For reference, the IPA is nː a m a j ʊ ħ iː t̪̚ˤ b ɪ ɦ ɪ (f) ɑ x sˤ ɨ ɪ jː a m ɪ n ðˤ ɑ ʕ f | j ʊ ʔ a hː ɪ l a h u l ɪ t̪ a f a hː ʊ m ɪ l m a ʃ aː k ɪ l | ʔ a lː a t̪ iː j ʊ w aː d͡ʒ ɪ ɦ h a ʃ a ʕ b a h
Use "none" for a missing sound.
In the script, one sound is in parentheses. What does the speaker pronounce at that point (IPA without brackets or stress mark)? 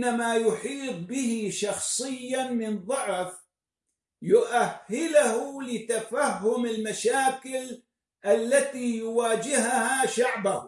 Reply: ʃ